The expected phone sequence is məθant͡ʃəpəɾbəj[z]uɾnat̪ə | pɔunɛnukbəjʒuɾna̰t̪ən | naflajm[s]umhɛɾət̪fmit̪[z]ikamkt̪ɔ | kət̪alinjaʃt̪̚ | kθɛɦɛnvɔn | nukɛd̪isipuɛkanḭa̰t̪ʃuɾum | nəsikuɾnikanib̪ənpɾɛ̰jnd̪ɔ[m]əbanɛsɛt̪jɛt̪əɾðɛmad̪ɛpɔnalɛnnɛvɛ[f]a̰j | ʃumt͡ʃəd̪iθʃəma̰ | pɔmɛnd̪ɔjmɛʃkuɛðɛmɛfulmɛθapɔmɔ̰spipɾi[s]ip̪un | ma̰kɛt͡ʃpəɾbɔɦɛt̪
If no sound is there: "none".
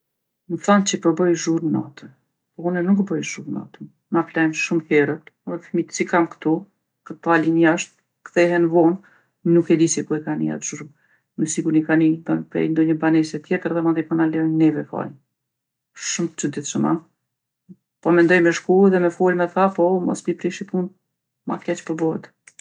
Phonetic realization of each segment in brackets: ʒ, ʃ, s, ɲ, f, ʃ

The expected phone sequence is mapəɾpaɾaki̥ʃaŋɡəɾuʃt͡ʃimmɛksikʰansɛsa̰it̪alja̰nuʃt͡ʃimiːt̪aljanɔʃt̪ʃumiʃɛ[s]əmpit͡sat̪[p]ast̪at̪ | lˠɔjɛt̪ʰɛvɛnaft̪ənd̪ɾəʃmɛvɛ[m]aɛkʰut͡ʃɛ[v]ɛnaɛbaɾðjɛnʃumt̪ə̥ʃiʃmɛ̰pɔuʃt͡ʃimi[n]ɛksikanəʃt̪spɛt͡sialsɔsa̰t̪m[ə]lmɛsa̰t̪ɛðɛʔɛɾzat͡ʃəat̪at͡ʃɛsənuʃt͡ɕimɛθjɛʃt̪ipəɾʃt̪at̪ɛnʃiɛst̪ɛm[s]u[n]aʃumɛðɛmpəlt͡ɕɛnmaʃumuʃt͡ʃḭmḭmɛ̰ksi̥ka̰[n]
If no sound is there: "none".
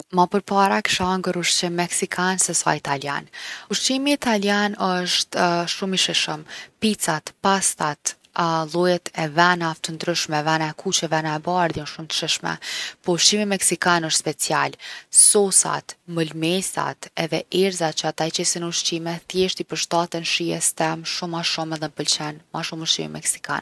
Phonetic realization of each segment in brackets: ʃ, p, n, v, m, ə, ʃ, m, n

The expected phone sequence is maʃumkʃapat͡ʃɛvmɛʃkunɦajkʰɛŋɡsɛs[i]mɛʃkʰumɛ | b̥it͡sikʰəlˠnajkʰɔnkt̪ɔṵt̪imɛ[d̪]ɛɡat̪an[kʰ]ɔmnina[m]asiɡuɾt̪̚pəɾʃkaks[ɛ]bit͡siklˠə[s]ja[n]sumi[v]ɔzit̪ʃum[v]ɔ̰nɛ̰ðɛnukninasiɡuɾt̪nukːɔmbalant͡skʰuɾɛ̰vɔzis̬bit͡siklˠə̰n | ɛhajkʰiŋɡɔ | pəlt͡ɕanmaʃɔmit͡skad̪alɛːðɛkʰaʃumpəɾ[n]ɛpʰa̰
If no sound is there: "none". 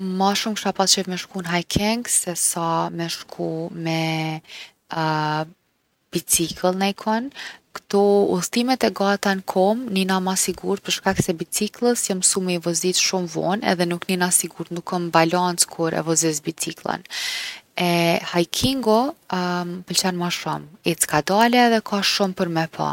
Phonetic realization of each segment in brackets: a, t̪, kʰ, m, ɛ, s, m, v, v, m

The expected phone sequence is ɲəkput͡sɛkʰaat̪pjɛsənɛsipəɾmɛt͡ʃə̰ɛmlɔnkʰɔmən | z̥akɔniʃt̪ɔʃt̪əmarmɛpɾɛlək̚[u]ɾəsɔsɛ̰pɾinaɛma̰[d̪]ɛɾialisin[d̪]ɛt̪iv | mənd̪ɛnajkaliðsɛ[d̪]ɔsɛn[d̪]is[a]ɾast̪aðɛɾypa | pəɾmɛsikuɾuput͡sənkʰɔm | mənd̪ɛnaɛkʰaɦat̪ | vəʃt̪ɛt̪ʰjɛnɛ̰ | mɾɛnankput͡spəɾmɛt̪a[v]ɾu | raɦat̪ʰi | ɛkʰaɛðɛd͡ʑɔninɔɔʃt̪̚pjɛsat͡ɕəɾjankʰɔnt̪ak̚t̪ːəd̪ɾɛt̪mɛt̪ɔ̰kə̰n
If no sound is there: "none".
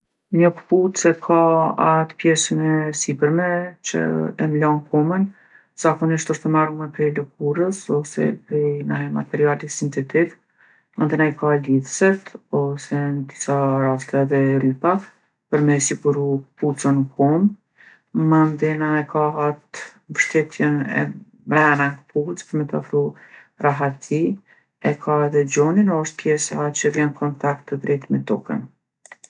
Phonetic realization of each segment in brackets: u, t̪, t̪, t̪, d̪, a, f

